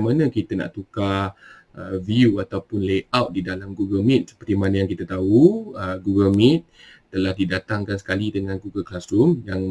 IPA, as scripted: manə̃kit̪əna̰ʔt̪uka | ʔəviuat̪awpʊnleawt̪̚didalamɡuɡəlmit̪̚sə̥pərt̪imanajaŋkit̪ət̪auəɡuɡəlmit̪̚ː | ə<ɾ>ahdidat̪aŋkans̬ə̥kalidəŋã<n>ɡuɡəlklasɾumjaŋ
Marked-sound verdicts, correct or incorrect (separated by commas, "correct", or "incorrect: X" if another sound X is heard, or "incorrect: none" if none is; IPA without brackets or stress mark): incorrect: l, correct